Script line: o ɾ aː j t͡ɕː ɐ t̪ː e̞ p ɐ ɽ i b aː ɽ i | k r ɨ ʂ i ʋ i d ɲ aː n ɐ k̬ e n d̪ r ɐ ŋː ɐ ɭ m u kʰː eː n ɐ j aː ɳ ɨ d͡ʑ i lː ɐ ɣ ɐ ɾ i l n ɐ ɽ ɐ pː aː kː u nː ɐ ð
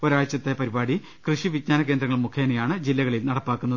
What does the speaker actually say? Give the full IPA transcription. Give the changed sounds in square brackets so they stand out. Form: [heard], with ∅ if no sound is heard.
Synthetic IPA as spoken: o ɾ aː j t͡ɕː ɐ t̪ː e̞ p ɐ [ɾ] i b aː ɽ i | k r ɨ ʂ i ʋ i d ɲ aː n ɐ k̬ e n d̪ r ɐ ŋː ɐ ɭ m u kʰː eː n ɐ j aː ɳ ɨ d͡ʑ i lː ɐ ɣ ɐ [ɭ] i l n ɐ ɽ ɐ pː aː kː u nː ɐ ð